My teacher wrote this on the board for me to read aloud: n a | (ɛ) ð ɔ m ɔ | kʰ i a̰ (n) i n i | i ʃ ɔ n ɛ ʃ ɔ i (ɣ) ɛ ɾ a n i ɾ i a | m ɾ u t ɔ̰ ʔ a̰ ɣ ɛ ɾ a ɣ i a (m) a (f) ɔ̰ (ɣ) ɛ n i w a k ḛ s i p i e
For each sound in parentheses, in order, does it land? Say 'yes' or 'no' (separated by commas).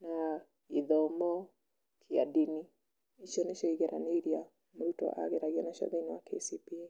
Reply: no, no, yes, no, no, no